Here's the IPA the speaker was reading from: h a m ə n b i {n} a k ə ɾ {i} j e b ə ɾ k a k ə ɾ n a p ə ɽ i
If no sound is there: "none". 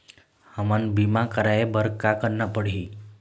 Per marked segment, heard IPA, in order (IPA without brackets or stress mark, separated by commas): m, a